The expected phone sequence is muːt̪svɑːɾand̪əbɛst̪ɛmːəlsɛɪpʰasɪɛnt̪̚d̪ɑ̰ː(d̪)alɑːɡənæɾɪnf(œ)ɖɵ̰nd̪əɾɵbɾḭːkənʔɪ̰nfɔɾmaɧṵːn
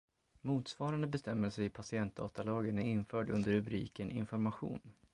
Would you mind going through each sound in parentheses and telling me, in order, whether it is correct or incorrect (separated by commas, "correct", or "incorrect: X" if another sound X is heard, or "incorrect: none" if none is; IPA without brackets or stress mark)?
incorrect: t̪, incorrect: œː